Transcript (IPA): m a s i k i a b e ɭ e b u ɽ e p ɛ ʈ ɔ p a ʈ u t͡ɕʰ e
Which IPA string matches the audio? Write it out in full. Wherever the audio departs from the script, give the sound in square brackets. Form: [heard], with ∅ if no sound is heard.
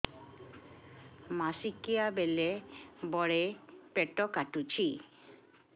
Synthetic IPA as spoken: m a s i k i a b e [l] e b [ɔ] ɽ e p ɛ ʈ ɔ [k] a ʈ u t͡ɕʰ [i]